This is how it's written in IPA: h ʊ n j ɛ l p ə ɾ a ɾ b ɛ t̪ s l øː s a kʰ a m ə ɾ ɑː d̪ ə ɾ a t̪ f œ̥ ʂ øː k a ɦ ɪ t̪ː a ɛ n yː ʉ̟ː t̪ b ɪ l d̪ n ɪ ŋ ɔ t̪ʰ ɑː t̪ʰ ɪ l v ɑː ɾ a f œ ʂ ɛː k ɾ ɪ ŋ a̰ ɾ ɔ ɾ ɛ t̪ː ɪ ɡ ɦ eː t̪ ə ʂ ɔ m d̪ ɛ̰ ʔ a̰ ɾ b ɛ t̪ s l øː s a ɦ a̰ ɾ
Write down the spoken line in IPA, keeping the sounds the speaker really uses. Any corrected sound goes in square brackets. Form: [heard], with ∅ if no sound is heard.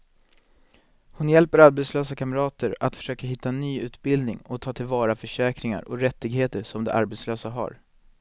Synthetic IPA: h ʊ n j ɛ l p ə ɾ a ɾ b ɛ t̪ s l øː s a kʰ a m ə ɾ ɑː [t̪] ə ɾ a t̪ f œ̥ ʂ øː k a ɦ ɪ t̪ː a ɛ n yː ʉ̟ː t̪ b ɪ l d̪ n ɪ ŋ ɔ t̪ʰ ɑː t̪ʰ ɪ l v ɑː ɾ a f œ ʂ ɛː k ɾ ɪ ŋ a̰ ɾ ɔ ɾ ɛ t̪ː ɪ ɡ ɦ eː t̪ ə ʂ ɔ m d̪ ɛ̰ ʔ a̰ ɾ b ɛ t̪ s l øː s a ɦ a̰ ɾ